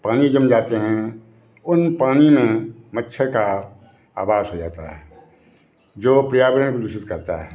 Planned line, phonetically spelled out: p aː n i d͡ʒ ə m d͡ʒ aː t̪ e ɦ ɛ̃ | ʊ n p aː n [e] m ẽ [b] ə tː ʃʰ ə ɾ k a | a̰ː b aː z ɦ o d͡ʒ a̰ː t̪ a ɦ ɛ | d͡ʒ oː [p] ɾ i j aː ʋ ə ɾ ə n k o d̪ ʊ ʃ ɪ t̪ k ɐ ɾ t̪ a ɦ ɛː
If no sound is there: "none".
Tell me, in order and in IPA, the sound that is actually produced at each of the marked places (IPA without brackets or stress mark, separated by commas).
i, m, p